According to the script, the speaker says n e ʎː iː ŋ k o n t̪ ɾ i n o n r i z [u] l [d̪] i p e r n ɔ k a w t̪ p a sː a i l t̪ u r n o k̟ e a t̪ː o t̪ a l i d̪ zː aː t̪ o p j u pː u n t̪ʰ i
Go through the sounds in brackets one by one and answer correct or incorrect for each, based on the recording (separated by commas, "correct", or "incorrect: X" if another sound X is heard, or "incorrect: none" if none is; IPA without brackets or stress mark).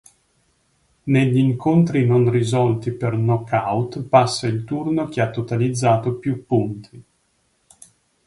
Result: incorrect: ɔ, incorrect: t̪